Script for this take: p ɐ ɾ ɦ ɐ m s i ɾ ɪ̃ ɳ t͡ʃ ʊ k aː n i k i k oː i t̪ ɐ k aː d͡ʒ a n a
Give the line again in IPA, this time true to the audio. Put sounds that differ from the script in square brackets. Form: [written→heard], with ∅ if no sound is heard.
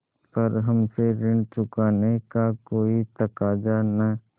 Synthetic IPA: p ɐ ɾ ɦ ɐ m s [i→e] ɾ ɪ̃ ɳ t͡ʃ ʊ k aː n [i→e] k [i→a] k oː i t̪ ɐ k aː d͡ʒ a n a